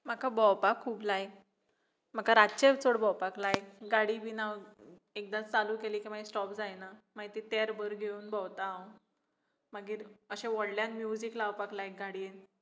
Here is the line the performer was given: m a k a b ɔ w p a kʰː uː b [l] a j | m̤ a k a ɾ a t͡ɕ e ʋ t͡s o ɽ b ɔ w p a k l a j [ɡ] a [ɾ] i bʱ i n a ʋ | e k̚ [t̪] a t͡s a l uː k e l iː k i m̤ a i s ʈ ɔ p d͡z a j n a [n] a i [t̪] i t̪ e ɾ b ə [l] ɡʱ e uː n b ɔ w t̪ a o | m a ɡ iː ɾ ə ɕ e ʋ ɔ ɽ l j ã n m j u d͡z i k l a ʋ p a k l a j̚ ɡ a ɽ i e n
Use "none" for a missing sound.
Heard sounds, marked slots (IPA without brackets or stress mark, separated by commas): l, ɡ, ɽ, d̪, m, t̪, ɾ